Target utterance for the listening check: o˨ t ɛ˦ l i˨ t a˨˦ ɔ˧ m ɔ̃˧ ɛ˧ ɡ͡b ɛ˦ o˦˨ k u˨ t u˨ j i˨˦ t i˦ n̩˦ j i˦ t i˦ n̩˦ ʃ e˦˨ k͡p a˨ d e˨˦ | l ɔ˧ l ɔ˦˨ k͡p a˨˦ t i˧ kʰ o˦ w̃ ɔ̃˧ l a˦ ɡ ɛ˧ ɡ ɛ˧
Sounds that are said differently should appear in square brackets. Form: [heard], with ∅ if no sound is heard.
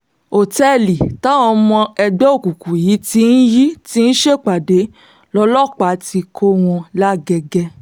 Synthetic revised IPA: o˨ t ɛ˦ l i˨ t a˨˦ ɔ˧ m ɔ̃˧ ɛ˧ ɡ͡b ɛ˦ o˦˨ k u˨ [k] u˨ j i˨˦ t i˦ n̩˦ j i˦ t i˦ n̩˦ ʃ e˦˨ k͡p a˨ d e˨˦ | l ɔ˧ l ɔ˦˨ k͡p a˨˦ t i˧ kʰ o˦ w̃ ɔ̃˧ l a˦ ɡ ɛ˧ ɡ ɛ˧

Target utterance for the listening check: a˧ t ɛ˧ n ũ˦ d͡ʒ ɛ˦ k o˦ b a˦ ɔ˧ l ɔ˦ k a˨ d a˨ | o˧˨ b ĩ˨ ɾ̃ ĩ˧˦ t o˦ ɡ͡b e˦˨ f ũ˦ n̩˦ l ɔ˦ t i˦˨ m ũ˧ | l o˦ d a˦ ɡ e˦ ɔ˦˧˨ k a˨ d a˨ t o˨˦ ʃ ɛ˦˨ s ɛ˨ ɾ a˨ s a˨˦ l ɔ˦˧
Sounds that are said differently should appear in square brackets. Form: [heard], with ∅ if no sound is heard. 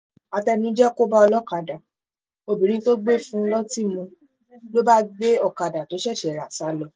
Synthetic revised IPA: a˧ t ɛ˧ n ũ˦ d͡ʒ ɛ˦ k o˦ b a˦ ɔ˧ l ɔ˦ k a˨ d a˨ | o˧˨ b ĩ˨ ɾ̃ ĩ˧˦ t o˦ ɡ͡b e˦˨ f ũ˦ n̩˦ l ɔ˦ t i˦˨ m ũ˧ | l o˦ [b] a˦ [ɡ͡b] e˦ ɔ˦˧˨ k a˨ d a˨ t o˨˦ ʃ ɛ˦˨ [ʃ] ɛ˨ ɾ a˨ s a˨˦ l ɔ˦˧

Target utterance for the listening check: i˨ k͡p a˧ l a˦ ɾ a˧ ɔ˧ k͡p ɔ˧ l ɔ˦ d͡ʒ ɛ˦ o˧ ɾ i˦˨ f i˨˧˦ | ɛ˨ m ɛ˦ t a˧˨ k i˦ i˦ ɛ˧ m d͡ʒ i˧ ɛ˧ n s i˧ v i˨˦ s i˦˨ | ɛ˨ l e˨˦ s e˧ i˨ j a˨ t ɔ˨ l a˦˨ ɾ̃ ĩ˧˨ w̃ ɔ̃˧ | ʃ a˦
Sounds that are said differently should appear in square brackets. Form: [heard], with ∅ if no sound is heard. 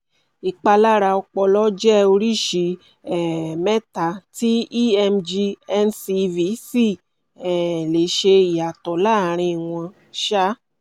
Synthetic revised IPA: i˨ k͡p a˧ l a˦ ɾ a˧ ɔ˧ k͡p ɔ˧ l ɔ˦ d͡ʒ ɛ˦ o˧ ɾ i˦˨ [ʃ] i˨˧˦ | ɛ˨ m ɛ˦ t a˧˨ [t] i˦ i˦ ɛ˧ m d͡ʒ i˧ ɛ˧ n s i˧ v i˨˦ s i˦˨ | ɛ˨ l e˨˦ [ʃ] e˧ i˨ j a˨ t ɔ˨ l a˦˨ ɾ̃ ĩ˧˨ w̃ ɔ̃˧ | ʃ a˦

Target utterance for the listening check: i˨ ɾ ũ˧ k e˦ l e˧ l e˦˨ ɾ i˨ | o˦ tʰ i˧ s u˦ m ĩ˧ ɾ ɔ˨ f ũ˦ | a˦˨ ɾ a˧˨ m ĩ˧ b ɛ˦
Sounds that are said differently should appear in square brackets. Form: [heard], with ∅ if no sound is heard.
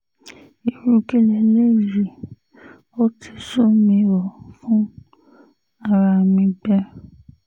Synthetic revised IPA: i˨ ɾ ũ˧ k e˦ l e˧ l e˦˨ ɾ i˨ | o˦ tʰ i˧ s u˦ m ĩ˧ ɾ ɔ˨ f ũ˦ | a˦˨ ɾ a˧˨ m ĩ˧ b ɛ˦

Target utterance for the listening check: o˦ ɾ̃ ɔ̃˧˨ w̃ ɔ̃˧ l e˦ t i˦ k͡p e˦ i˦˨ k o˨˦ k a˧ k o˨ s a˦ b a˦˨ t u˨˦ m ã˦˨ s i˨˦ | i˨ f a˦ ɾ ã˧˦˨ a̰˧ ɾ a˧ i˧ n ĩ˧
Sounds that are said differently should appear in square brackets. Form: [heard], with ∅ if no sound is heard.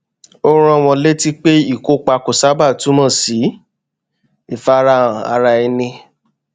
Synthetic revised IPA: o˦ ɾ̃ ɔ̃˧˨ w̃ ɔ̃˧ l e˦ t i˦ k͡p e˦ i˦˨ k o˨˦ [k͡p] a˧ k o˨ s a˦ b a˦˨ t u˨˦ m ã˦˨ s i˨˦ | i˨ f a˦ ɾ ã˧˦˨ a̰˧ ɾ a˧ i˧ n ĩ˧

